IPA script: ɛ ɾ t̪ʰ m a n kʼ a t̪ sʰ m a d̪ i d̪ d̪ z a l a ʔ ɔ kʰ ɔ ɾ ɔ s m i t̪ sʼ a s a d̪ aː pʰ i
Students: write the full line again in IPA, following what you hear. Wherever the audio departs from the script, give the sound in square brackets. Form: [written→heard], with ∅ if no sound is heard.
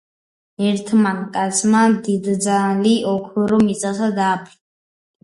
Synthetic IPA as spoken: ɛ ɾ t̪ʰ m a n kʼ a t̪ sʰ m a d̪ i d̪ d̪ z a l [a→i] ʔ ɔ kʰ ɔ ɾ ɔ [s→∅] m i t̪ sʼ a s a d̪ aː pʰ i

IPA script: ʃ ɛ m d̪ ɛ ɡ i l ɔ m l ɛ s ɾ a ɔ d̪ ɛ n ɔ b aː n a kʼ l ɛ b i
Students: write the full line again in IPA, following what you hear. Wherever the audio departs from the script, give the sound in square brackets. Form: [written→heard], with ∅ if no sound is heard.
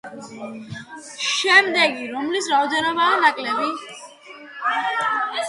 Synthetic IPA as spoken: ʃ ɛ m d̪ ɛ ɡ i [l→ɾ] ɔ m l [ɛ→i] s ɾ a ɔ d̪ ɛ n ɔ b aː n a kʼ l ɛ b i

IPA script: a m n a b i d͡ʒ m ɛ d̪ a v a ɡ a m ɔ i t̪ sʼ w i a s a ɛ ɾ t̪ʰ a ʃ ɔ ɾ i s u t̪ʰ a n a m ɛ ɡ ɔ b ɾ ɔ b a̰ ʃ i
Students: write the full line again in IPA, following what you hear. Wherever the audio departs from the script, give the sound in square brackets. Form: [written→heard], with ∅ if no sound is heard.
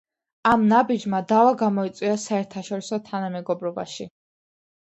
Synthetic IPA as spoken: a m n a b i d͡ʒ m [ɛ→a] d̪ a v a ɡ a m ɔ i t̪ sʼ w i a s a ɛ ɾ t̪ʰ a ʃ ɔ ɾ i s [u→ɔ] t̪ʰ a n a m ɛ ɡ ɔ b ɾ ɔ b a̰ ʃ i

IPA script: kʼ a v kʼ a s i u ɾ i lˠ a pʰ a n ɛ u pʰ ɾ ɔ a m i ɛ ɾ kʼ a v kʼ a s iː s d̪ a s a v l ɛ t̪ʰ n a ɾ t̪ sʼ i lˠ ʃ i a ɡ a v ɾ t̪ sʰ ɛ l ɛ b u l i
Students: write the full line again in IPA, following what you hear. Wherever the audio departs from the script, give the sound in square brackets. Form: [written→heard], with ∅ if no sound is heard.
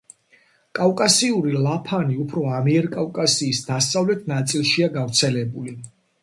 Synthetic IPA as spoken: kʼ a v kʼ a s i u ɾ i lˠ a pʰ a n [ɛ→i] u pʰ ɾ ɔ a m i ɛ ɾ kʼ a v kʼ a s iː s d̪ a s a v l ɛ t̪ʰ n a [ɾ→∅] t̪ sʼ i lˠ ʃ i a ɡ a v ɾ t̪ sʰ ɛ l ɛ b u l i

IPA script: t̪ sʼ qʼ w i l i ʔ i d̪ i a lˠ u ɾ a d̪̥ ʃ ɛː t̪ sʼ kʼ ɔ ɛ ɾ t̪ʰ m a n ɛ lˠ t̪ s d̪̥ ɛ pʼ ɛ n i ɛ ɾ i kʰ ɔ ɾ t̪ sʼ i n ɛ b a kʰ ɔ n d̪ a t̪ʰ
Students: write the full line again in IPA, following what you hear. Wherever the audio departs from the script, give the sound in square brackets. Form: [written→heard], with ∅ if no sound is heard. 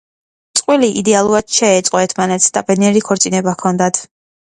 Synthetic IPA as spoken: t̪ sʼ qʼ w i l i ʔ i d̪ [i→ɛ] a lˠ u ɾ a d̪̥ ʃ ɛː t̪ sʼ [kʼ→qʼ] ɔ ɛ ɾ t̪ʰ m a n ɛ [lˠ→∅] t̪ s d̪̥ [ɛ→a] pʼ ɛ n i ɛ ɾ i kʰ ɔ ɾ t̪ sʼ i n ɛ b a kʰ ɔ n d̪ a t̪ʰ

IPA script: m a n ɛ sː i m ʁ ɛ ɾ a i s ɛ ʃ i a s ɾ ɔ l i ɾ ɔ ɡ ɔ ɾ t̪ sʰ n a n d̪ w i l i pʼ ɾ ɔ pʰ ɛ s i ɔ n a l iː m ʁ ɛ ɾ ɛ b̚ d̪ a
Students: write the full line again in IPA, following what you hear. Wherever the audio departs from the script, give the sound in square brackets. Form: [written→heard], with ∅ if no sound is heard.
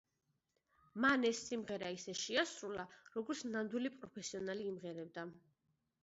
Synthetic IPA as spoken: m a n ɛ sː i m ʁ ɛ ɾ a i s ɛ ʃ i a s ɾ [ɔ→u] l [i→a] ɾ ɔ ɡ ɔ ɾ t̪ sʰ n a n d̪ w i l i pʼ ɾ ɔ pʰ ɛ s i ɔ n a l iː m ʁ ɛ ɾ ɛ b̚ d̪ a

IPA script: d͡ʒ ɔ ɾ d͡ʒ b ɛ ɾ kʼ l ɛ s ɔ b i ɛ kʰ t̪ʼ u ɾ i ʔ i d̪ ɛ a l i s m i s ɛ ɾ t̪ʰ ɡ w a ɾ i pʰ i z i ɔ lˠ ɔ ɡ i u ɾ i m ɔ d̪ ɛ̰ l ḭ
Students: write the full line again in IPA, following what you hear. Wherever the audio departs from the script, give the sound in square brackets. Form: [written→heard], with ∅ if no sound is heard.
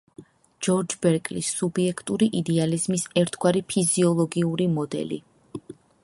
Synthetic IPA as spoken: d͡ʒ ɔ ɾ d͡ʒ b ɛ ɾ kʼ l [ɛ→i] s [ɔ→u] b i ɛ kʰ t̪ʼ u ɾ i ʔ i d̪ ɛ a l i [s→z] m i s ɛ ɾ t̪ʰ ɡ w a ɾ i pʰ i z i ɔ lˠ ɔ ɡ i u ɾ i m ɔ d̪ ɛ̰ l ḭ

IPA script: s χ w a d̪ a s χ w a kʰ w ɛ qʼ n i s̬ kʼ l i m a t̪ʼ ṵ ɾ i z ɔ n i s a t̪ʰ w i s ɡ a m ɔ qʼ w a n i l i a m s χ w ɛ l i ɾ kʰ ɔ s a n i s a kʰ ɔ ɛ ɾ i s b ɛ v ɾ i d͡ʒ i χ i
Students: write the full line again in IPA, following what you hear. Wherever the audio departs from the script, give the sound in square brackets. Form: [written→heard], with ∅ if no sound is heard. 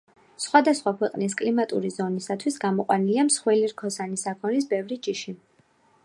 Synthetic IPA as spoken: s χ w a d̪ a s χ w a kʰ w ɛ qʼ n i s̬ kʼ l i m a t̪ʼ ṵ ɾ i z ɔ n i s a t̪ʰ w i s ɡ a m ɔ qʼ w a n i l i a m s χ w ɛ l i ɾ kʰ ɔ s a n i s a kʰ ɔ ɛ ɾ i s b ɛ v ɾ i d͡ʒ i [χ→ʃ] i

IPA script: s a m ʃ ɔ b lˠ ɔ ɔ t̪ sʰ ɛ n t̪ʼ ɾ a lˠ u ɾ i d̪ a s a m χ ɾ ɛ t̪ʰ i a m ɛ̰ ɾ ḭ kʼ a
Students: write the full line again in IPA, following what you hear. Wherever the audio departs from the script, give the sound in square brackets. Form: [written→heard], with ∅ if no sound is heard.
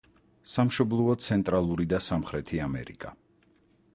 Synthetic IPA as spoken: s a m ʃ ɔ b lˠ ɔ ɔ t̪ sʰ ɛ n t̪ʼ ɾ a lˠ u ɾ i d̪ a s a m χ ɾ ɛ t̪ʰ i a m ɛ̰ ɾ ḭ kʼ a

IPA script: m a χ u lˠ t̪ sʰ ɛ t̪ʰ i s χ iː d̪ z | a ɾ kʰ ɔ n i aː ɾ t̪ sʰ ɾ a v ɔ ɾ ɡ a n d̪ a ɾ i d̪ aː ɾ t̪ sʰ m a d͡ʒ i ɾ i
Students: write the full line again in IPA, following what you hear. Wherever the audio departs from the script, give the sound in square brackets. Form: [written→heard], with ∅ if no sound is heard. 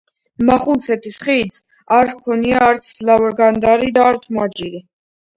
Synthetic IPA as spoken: m a χ u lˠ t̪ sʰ ɛ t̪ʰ i s χ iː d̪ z | a ɾ kʰ ɔ n i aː ɾ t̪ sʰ [ɾ→l] a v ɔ ɾ ɡ a n d̪ a ɾ i d̪ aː ɾ t̪ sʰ m a d͡ʒ i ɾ i

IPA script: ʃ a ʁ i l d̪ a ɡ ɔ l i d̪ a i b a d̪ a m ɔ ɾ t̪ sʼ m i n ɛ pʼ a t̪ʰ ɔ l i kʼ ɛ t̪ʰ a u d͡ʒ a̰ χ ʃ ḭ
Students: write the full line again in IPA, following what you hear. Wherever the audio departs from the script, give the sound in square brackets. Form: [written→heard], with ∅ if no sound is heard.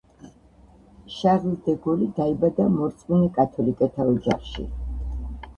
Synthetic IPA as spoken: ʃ a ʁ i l d̪ [a→ɛ] ɡ ɔ l i d̪ a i b a d̪ a m ɔ ɾ t̪ sʼ m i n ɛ [pʼ→kʼ] a t̪ʰ ɔ l i kʼ ɛ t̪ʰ a [u→ɔ] d͡ʒ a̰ χ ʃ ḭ

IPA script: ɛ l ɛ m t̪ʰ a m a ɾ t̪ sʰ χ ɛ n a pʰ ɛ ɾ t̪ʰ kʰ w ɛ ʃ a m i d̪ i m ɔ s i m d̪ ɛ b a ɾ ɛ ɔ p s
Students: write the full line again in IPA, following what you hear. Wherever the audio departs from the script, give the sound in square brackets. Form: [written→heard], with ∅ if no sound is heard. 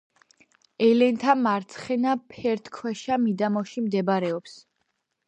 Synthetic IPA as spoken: ɛ l ɛ [m→n] t̪ʰ a m a ɾ t̪ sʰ χ ɛ n a pʰ ɛ ɾ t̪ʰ kʰ w ɛ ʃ a m i d̪ [i→a] m ɔ [s→ʃ] i m d̪ ɛ b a ɾ ɛ ɔ p s

